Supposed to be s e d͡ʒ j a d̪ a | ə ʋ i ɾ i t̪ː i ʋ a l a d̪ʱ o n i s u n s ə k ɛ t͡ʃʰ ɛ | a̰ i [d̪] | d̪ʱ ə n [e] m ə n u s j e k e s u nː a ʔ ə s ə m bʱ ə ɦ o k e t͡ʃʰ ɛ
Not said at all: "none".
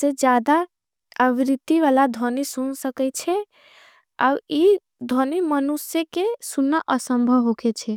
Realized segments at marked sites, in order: none, i

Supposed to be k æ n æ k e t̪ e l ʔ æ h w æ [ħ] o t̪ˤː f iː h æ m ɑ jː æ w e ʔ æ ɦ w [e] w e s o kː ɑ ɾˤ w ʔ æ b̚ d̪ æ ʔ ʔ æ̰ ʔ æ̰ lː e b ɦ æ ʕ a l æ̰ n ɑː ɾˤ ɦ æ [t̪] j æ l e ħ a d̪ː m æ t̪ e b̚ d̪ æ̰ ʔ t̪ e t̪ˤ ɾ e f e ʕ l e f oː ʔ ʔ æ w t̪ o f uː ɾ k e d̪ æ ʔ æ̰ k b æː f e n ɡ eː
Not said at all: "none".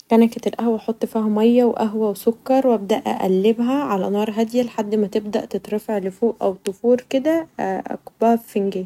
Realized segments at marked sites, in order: ħ, æ, d̪

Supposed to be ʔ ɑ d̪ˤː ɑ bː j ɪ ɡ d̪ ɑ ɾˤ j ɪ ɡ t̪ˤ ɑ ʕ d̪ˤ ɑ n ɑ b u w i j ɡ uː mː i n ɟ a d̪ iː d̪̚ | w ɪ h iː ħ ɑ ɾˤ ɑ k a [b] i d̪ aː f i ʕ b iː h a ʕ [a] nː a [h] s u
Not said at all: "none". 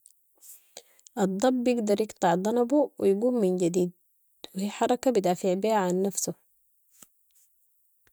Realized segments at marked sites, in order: b, a, f

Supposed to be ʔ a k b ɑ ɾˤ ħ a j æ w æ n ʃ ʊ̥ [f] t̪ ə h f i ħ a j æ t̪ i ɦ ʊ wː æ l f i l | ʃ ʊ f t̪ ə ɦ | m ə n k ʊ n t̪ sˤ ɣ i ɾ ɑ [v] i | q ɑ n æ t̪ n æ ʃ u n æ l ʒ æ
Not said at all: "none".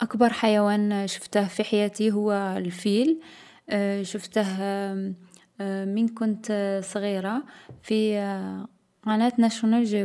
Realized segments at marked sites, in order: f, f

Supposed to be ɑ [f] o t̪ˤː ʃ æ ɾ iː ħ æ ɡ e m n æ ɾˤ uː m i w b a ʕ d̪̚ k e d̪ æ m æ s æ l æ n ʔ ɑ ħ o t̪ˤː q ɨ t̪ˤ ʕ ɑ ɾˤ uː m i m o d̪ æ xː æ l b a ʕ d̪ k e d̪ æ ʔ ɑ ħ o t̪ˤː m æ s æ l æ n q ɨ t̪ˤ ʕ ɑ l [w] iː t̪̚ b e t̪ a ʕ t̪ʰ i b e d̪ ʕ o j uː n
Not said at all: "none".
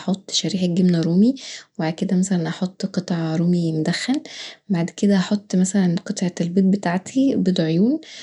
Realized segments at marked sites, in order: ħ, b

